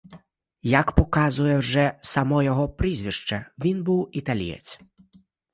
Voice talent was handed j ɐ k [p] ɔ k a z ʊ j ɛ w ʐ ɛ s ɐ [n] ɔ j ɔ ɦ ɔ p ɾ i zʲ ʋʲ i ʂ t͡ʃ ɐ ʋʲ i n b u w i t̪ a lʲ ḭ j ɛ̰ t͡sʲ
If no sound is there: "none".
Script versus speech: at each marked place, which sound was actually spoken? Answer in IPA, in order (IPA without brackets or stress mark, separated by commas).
p, m